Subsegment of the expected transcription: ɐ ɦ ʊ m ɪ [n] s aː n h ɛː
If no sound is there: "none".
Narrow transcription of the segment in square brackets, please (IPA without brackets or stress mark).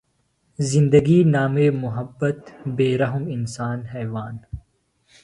n